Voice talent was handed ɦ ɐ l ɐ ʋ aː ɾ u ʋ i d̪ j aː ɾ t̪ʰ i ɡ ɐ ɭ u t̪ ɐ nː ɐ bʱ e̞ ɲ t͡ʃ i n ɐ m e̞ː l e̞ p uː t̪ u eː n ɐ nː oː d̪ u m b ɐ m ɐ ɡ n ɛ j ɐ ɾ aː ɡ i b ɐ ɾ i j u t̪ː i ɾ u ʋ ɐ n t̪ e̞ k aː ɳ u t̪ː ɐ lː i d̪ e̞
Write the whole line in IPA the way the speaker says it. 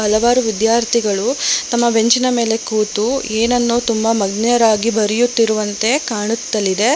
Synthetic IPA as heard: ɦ ɐ l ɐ ʋ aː ɾ u ʋ i d̪ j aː ɾ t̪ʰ i ɡ ɐ ɭ u t̪ ɐ mː ɐ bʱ e̞ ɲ t͡ʃ i n ɐ m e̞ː l e̞ k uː t̪ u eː n ɐ nː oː t̪ u m b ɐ m ɐ ɡ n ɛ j ɐ ɾ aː ɡ i b ɐ ɾ i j u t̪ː i ɾ u ʋ ɐ n t̪ e̞ k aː ɳ u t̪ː ɐ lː i d̪ e̞